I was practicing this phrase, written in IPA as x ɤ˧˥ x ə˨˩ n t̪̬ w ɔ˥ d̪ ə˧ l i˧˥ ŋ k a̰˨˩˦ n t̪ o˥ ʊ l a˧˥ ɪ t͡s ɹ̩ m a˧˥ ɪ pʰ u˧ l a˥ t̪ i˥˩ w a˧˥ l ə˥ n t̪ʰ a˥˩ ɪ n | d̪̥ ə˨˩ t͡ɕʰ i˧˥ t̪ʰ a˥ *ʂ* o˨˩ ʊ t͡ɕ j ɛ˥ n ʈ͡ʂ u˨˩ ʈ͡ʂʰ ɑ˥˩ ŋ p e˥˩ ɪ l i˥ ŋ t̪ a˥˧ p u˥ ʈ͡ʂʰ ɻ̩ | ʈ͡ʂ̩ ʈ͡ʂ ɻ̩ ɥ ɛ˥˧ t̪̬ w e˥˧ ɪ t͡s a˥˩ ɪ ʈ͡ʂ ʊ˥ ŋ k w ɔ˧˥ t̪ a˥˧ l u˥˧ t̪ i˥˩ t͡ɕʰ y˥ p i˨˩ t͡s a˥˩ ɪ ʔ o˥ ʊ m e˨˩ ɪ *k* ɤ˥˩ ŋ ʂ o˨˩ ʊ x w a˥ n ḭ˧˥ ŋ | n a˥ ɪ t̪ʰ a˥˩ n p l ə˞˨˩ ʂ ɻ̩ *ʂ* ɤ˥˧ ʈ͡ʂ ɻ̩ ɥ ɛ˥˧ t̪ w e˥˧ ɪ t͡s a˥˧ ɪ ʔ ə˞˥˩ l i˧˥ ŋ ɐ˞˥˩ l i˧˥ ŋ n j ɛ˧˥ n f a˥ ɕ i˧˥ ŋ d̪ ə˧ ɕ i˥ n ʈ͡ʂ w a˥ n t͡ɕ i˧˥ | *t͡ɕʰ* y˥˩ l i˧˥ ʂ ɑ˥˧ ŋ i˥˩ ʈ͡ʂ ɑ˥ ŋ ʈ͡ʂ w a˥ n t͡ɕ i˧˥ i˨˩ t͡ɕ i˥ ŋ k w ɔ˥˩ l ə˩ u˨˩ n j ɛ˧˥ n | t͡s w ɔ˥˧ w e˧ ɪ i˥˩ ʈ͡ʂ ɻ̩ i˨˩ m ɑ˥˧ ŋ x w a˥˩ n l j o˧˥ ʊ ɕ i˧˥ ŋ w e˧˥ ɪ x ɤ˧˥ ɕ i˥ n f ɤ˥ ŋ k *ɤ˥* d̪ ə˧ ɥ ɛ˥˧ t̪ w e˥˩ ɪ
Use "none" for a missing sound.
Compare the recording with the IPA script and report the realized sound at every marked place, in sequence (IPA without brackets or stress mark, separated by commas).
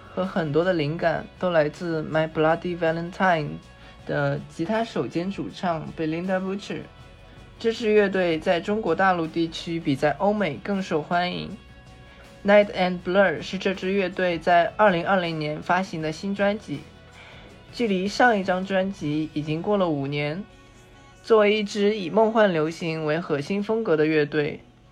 ʂ, k, ʈ͡ʂ, t͡ɕ, ɤ˧˥